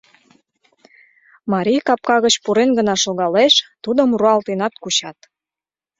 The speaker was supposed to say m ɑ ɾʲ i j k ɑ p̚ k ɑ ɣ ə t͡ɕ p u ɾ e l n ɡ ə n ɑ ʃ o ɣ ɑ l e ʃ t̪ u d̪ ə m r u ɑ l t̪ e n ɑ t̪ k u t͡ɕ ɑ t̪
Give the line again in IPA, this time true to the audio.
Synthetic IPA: m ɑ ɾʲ i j k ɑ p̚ k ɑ ɣ ə t͡ɕ p u ɾ e n ɡ ə n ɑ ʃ o ɣ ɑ l e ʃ t̪ u d̪ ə m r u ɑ l t̪ e n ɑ t̪ k u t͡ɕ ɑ t̪